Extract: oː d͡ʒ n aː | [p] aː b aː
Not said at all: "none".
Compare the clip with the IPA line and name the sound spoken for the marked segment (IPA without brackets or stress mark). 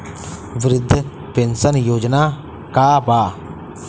k